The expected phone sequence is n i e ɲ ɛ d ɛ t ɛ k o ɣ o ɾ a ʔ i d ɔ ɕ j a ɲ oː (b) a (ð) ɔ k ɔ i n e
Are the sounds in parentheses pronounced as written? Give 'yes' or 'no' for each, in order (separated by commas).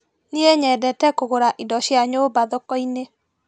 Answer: yes, yes